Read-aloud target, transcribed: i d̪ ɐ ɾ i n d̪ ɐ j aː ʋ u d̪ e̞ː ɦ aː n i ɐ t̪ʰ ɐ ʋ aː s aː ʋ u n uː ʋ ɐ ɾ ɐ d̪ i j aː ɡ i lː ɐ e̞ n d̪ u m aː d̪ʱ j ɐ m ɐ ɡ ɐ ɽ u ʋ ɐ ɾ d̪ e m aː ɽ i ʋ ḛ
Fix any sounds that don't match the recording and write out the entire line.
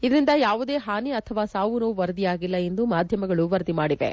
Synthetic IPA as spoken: i d̪ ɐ ɾ i n d̪ ɐ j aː ʋ u d̪ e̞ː ɦ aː n i ɐ t̪ʰ ɐ ʋ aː s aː ʋ u n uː ʋ ɐ ɾ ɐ d̪ i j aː ɡ i lː ɐ e̞ n d̪ u m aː d̪ʱ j ɐ m ɐ ɡ ɐ ɭ u ʋ ɐ ɾ d̪ i m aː ɽ i ʋ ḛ